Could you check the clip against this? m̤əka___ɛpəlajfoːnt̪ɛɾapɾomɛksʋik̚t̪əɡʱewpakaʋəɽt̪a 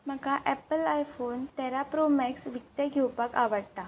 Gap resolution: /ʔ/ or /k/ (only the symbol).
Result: ʔ